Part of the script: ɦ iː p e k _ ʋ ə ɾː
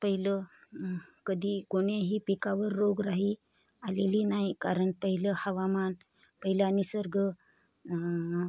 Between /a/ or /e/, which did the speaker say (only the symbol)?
a